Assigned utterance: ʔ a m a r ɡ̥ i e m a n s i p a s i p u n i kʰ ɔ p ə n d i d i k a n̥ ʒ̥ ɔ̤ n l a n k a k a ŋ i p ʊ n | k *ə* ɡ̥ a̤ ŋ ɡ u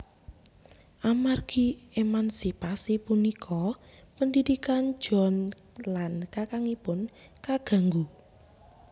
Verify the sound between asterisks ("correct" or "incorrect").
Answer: incorrect